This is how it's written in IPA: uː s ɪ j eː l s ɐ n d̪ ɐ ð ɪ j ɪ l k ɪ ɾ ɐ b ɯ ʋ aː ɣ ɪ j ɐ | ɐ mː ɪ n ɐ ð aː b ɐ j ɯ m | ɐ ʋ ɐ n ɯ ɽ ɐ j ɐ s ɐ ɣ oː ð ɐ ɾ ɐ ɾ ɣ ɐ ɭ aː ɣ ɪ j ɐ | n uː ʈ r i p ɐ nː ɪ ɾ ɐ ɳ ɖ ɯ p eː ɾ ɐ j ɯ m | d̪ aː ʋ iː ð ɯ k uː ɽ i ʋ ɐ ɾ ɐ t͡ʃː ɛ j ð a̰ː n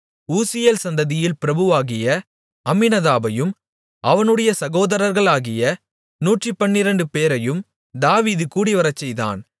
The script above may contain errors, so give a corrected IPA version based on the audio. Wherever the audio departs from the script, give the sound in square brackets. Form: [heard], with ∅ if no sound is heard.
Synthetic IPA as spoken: uː s ɪ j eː l s ɐ n d̪ ɐ ð ɪ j ɪ l [p] ɪ ɾ ɐ b ɯ ʋ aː ɣ ɪ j ɐ | ɐ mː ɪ n ɐ ð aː b ɐ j ɯ m | ɐ ʋ ɐ n ɯ ɽ ɐ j ɐ s ɐ ɣ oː ð ɐ ɾ ɐ ɾ ɣ ɐ ɭ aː ɣ ɪ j ɐ | n uː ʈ r i p ɐ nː ɪ ɾ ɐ ɳ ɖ ɯ p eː ɾ ɐ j ɯ m | d̪ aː ʋ iː ð ɯ k uː ɽ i ʋ ɐ ɾ ɐ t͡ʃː ɛ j ð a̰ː n